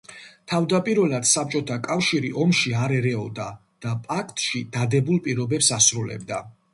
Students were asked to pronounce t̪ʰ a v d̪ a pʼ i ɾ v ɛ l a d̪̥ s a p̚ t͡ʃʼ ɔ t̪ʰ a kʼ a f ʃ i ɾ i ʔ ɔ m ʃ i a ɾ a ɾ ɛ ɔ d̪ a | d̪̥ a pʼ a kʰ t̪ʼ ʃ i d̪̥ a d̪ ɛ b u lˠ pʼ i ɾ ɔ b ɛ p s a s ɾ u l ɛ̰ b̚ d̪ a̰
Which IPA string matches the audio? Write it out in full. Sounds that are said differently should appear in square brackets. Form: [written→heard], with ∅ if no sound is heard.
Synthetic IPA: t̪ʰ a v d̪ a pʼ i ɾ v ɛ l a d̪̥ s a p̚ t͡ʃʼ ɔ t̪ʰ a kʼ a f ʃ i ɾ i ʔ ɔ m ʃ i a ɾ [a→ɛ] ɾ ɛ ɔ d̪ a | d̪̥ a pʼ a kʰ t̪ʼ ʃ i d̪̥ a d̪ ɛ b u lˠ pʼ i ɾ ɔ b ɛ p s a s ɾ u l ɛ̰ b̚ d̪ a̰